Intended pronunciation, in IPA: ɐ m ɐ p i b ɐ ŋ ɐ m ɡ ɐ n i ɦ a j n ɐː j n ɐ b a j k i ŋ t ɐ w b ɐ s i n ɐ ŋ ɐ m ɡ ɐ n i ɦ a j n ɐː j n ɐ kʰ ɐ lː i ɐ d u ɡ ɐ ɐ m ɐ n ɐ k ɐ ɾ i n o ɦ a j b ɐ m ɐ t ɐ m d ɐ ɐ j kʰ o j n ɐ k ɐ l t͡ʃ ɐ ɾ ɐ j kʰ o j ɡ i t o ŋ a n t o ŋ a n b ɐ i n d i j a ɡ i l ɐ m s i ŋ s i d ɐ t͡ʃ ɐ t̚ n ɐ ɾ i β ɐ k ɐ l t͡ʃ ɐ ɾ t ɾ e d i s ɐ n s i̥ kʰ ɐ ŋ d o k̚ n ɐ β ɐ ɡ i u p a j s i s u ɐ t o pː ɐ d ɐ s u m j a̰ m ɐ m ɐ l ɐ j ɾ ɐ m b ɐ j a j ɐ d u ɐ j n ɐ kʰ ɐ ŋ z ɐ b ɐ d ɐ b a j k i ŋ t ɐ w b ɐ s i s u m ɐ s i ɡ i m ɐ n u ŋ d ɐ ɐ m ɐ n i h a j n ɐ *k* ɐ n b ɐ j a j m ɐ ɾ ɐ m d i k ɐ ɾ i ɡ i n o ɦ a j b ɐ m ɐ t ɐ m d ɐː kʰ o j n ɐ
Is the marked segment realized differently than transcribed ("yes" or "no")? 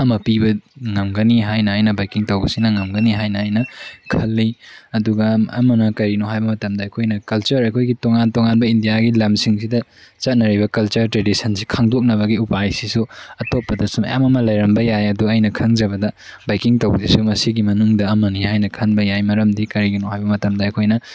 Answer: yes